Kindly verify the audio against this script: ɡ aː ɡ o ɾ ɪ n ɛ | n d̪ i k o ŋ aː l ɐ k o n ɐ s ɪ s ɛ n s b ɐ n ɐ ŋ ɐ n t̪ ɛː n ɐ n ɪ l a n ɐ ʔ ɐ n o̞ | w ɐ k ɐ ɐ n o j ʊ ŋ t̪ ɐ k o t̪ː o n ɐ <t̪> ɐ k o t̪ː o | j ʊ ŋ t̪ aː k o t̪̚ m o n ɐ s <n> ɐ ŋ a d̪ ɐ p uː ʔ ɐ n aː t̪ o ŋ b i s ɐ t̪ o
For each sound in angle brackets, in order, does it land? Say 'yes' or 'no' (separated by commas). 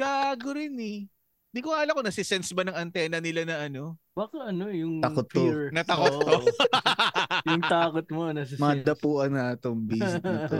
yes, no